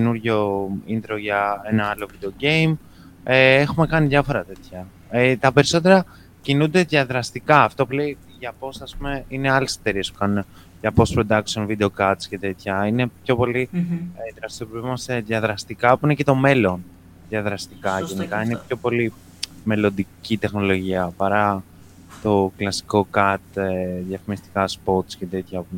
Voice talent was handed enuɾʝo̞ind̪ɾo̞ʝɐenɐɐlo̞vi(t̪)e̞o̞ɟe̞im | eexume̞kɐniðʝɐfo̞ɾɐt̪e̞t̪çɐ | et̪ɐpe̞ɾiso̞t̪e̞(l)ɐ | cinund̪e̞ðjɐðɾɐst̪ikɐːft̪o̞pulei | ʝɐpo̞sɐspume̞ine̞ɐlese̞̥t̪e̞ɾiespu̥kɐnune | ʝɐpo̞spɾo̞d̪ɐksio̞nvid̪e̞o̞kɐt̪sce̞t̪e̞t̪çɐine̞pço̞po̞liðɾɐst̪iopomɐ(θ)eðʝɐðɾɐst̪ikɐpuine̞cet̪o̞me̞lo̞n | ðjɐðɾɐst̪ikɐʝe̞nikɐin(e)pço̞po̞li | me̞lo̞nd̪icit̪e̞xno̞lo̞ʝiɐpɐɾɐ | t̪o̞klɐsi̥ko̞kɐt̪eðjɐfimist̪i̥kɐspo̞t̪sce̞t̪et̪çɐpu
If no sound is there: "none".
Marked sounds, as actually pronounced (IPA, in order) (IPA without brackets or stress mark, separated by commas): d̪, ɾ, s, e